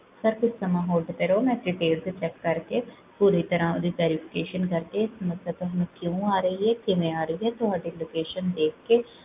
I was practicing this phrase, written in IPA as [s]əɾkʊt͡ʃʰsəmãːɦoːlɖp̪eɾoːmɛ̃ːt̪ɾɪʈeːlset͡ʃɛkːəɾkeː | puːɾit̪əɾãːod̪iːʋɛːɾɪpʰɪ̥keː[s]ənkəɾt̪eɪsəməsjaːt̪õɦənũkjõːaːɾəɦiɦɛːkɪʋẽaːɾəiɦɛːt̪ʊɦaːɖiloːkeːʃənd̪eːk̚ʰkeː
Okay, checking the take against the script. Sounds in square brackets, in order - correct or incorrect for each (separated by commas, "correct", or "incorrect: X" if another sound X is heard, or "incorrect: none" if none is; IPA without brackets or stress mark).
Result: correct, incorrect: ʃ